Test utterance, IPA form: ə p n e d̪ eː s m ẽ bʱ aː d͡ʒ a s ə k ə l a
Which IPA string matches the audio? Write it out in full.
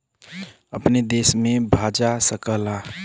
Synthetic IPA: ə p n e d̪ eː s m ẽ bʱ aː d͡ʒ a s ə k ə l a